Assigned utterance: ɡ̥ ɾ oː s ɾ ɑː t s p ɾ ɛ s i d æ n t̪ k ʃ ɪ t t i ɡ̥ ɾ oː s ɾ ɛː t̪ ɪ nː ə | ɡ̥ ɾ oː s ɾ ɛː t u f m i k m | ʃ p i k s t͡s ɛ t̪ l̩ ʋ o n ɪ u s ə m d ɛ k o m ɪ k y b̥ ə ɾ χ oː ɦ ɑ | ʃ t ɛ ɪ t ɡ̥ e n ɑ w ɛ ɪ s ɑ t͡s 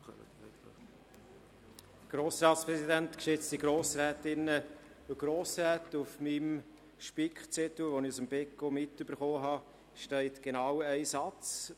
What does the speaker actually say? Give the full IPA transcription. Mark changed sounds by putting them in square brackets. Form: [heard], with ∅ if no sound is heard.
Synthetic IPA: ɡ̥ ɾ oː s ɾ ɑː t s p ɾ ɛ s i d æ n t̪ k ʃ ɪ [t͡s] t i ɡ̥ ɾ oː s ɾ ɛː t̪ ɪ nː ə | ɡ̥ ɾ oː s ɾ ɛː t u f m i [∅] m | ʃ p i k [χ] t͡s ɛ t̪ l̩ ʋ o n ɪ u s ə m [b] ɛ k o m ɪ [t] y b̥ ə ɾ χ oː ɦ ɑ | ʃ t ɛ ɪ t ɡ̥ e n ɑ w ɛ ɪ s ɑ t͡s